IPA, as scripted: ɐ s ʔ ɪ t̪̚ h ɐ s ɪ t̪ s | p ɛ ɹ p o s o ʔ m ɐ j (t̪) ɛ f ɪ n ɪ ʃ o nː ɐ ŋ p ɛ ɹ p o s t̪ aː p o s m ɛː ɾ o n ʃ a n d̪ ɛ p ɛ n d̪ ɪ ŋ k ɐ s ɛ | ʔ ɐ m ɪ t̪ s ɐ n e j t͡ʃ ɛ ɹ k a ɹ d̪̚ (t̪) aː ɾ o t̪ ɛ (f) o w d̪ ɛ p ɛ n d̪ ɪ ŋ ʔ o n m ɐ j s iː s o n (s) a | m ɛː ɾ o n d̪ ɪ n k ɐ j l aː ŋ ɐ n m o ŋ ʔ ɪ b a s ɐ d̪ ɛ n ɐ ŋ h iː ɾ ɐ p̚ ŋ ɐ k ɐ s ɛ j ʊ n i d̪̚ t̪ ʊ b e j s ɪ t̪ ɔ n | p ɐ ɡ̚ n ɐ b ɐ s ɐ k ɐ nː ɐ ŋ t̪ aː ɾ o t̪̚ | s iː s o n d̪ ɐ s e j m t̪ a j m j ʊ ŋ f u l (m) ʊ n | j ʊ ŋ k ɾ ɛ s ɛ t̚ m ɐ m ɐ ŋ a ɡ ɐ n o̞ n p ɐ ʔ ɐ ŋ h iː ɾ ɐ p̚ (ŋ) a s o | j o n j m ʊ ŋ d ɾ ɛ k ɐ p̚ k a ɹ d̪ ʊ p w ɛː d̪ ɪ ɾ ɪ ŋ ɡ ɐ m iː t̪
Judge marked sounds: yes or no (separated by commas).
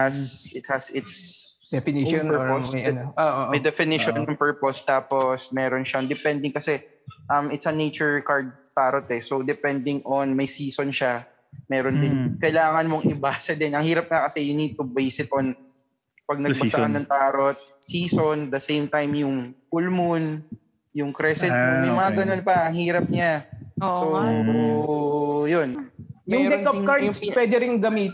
no, yes, no, no, yes, no